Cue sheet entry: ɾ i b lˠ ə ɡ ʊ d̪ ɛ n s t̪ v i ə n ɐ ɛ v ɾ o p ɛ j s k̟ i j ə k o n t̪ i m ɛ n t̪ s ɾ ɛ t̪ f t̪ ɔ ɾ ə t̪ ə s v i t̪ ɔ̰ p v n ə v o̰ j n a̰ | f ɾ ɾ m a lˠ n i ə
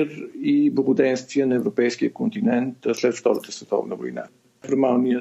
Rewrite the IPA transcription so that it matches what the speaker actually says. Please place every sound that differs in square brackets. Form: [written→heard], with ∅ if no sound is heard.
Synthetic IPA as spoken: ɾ i b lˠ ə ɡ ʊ d̪ ɛ n s t̪ v i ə n ɐ ɛ v ɾ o p ɛ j s k̟ i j ə k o n t̪ i [m→n] ɛ n t̪ s [ɾ→l] ɛ t̪ f t̪ ɔ ɾ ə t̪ ə s v [i→ɛ] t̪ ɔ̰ [p→∅] v n ə v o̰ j n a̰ | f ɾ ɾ m a lˠ n i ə